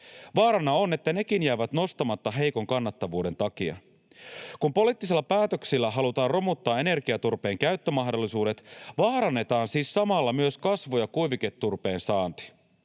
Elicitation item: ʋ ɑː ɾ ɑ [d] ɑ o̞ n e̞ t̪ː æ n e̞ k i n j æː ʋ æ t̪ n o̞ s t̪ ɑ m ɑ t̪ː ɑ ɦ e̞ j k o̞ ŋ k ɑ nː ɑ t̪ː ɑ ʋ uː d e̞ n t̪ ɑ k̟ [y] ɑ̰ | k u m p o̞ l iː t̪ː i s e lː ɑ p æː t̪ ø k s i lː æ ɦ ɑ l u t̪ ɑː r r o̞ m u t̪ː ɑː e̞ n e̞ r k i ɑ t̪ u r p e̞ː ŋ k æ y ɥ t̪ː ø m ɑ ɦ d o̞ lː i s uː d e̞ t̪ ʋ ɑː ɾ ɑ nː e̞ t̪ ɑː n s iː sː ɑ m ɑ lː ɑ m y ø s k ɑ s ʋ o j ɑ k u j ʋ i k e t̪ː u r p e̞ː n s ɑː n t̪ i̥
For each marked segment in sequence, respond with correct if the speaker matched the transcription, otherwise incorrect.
incorrect: n, incorrect: i

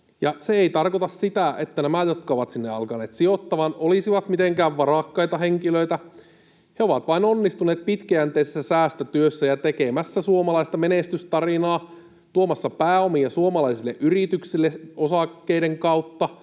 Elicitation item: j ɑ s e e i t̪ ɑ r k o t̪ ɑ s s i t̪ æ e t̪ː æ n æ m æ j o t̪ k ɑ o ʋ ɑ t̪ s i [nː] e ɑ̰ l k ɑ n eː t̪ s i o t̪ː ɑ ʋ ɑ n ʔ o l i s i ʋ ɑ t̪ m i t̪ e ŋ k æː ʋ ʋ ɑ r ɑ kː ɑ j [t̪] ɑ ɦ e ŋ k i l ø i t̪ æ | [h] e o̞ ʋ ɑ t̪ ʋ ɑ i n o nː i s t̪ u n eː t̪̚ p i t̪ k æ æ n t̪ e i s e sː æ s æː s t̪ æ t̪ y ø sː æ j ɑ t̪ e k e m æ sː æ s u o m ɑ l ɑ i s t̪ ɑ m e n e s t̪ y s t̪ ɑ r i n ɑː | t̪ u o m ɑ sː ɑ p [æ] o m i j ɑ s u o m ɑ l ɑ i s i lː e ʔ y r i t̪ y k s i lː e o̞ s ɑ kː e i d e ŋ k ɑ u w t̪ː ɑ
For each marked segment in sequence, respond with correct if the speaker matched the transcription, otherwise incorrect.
correct, correct, correct, incorrect: æː

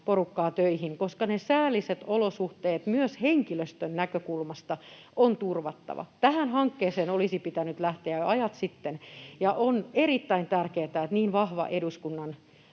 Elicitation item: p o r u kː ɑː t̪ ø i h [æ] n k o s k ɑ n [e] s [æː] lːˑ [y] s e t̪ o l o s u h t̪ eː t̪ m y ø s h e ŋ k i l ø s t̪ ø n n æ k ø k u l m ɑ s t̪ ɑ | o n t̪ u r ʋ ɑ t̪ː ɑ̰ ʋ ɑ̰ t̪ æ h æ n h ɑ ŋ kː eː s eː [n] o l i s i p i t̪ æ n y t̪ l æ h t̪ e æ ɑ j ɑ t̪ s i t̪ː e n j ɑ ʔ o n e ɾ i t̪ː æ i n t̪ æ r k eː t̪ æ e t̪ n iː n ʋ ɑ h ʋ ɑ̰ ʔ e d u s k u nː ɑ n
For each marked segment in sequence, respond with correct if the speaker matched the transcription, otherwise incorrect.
incorrect: i, correct, correct, incorrect: i, correct

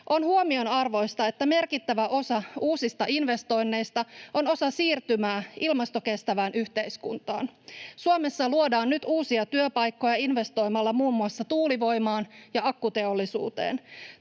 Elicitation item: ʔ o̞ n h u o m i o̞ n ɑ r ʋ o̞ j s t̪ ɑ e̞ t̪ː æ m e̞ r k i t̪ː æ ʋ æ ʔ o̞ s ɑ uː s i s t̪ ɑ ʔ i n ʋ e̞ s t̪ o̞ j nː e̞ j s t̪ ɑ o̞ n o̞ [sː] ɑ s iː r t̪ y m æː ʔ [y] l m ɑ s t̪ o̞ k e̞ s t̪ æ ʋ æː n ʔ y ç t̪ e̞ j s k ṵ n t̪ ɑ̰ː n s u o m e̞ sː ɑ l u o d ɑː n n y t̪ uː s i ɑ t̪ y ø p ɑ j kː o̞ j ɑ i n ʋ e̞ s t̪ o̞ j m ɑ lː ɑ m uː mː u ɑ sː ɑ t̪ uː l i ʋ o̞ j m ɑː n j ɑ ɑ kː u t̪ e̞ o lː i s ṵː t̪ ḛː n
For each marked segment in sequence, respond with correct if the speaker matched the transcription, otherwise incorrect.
incorrect: s, incorrect: i

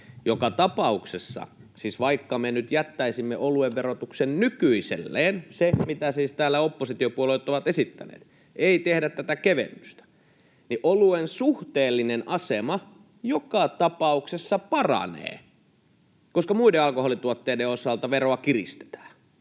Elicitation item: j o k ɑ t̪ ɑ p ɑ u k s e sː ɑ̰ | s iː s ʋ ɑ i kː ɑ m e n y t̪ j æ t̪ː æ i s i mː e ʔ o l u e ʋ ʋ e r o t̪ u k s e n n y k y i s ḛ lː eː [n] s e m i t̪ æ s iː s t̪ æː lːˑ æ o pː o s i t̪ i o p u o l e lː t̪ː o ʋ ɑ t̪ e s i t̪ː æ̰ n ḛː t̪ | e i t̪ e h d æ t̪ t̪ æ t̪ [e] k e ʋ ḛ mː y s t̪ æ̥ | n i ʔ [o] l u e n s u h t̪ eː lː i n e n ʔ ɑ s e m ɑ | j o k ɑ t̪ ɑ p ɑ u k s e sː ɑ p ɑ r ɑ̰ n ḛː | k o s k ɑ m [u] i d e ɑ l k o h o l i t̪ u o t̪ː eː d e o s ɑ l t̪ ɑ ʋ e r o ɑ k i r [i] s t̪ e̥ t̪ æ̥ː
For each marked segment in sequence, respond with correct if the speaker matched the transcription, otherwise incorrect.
correct, incorrect: æ, correct, correct, correct

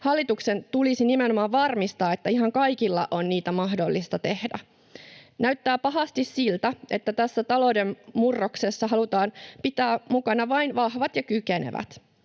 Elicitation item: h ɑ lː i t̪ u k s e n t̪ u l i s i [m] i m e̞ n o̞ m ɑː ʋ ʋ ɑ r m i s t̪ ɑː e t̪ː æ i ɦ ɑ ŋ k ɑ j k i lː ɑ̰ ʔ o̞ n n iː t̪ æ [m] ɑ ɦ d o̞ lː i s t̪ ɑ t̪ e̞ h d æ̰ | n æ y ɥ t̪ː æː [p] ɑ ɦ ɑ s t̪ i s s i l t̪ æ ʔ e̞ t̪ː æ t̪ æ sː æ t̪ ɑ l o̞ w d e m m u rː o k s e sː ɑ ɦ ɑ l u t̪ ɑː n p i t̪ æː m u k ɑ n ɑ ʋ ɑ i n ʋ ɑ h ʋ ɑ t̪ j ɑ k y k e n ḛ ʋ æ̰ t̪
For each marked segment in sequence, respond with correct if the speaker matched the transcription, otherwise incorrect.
incorrect: n, correct, correct

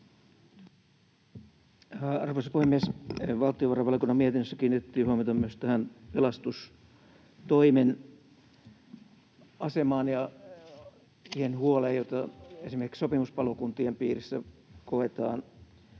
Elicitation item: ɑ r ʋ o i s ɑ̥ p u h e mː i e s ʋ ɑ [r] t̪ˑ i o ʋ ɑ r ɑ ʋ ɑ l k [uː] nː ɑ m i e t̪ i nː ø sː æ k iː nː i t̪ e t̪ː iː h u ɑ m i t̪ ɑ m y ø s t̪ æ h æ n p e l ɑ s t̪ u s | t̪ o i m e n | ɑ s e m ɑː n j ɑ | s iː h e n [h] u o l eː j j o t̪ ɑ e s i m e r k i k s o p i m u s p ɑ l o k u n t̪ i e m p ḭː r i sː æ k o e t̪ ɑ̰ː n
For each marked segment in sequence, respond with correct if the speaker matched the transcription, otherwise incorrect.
incorrect: l, incorrect: u, correct

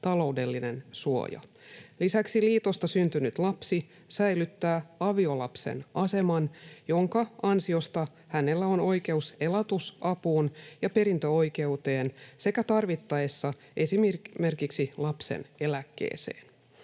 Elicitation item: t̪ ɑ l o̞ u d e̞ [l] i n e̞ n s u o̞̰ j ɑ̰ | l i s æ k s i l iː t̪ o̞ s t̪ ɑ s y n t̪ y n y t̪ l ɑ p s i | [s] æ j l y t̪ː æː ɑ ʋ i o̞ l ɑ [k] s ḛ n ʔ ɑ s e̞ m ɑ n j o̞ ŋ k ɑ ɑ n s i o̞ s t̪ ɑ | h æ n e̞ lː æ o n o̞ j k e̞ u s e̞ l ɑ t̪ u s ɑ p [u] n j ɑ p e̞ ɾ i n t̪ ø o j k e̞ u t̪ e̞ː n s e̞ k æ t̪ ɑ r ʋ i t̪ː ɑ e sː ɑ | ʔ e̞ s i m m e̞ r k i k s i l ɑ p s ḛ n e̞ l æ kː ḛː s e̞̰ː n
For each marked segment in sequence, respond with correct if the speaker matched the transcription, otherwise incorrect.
incorrect: lː, correct, incorrect: p, incorrect: uː

